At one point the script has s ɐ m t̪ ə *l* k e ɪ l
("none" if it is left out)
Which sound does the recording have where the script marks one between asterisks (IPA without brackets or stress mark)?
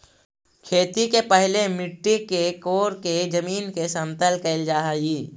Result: l